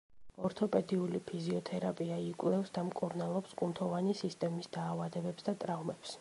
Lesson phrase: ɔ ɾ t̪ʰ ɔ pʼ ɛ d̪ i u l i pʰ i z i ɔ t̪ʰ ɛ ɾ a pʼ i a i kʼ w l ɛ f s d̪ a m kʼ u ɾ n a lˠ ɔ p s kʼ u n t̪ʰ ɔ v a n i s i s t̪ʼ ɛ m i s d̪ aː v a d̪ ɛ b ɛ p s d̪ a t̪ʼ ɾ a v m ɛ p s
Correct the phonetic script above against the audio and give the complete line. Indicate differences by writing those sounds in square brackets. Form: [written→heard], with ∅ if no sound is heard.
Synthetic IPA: ɔ ɾ t̪ʰ ɔ pʼ ɛ d̪ i u l i pʰ i z i ɔ t̪ʰ ɛ ɾ a pʼ i a i kʼ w l ɛ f s d̪ a m kʼ u ɾ n a lˠ ɔ p s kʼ u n t̪ʰ ɔ v a n i s i s t̪ʼ ɛ m i s d̪ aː v a d̪ ɛ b ɛ p s d̪ a t̪ʼ ɾ a v m ɛ p s